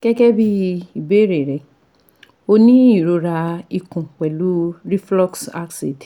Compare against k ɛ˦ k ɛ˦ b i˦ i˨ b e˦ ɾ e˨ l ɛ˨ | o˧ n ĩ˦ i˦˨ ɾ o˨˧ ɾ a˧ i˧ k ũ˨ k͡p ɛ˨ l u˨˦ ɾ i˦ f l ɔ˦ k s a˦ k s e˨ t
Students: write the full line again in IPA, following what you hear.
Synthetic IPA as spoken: k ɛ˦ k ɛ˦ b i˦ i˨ b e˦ ɾ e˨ ɾ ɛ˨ | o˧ n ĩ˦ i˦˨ ɾ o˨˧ ɾ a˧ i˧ k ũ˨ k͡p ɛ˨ l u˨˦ ɾ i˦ f l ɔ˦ k s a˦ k s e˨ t